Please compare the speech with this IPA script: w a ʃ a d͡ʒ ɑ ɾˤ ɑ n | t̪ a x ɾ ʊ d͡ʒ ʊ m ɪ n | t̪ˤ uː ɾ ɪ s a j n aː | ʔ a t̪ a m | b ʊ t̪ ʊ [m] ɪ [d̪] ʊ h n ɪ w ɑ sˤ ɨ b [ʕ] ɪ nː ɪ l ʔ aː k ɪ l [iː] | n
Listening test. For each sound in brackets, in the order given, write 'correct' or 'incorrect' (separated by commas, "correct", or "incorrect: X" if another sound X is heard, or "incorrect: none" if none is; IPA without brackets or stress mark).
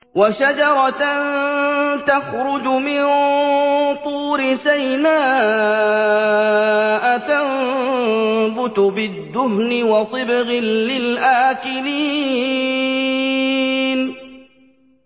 incorrect: b, incorrect: d̪ː, incorrect: ɣ, correct